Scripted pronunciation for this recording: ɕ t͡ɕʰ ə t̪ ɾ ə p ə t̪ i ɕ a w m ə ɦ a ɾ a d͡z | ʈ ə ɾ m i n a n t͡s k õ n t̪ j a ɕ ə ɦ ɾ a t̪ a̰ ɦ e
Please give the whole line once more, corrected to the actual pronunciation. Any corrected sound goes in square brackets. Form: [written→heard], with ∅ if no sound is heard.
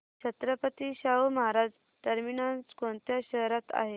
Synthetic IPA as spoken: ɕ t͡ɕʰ ə t̪ ɾ ə p ə t̪ i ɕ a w m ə ɦ a ɾ a d͡z | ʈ ə ɾ m i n a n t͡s k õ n t̪ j a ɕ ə ɦ ɾ a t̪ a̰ ɦ e